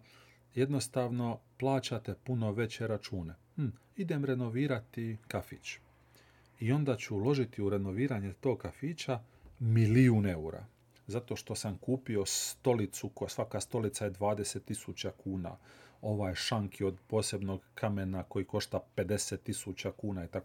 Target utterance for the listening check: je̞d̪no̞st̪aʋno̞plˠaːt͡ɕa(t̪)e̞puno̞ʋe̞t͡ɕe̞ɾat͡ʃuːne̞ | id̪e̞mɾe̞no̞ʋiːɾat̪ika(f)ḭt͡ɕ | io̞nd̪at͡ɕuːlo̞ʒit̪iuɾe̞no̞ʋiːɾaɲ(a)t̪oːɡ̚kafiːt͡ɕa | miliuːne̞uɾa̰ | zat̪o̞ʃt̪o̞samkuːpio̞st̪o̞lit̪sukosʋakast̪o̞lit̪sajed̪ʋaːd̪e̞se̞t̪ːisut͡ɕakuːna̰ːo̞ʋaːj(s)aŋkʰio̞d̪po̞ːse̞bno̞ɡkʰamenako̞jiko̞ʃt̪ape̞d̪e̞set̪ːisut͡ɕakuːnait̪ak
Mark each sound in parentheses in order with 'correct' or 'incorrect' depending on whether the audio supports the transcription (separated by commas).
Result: correct, correct, incorrect, incorrect